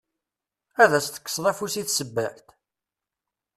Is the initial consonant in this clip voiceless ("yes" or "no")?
no